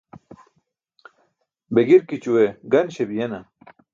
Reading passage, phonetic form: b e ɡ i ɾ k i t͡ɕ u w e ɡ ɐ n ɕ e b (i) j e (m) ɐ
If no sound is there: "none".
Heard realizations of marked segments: i, n

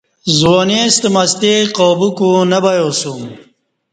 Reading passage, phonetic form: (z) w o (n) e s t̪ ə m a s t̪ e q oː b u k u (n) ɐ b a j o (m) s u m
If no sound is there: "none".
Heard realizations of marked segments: z, n, n, none

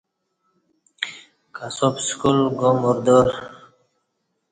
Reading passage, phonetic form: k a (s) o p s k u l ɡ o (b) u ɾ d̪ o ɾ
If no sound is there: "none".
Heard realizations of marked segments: s, m

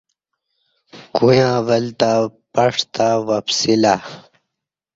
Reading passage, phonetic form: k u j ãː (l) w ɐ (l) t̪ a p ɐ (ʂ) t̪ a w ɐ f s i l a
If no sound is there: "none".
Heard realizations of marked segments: none, l, ʂ

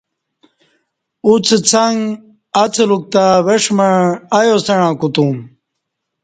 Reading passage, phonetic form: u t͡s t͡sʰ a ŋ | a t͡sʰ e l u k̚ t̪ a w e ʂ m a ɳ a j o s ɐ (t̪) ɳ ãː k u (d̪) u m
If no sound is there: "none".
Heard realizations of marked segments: none, t̪

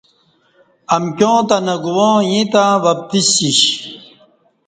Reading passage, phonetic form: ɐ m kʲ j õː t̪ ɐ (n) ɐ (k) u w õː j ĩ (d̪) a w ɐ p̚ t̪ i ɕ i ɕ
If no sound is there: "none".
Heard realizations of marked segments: n, ɡ, t̪

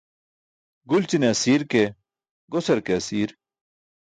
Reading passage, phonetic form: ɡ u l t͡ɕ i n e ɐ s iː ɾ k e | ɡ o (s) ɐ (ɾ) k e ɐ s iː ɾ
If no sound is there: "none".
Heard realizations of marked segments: s, ɾ

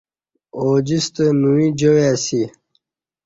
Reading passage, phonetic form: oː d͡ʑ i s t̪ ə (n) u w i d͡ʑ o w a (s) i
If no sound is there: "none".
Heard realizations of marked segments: n, s

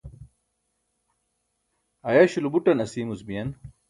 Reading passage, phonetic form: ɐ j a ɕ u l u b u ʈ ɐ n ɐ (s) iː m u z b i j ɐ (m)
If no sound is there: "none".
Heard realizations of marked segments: s, n

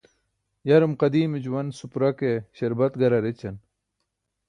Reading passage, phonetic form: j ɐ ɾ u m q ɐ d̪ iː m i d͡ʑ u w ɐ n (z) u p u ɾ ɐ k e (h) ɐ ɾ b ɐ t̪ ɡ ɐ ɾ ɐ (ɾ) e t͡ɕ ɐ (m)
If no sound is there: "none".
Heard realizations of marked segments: s, ɕ, ɾ, n

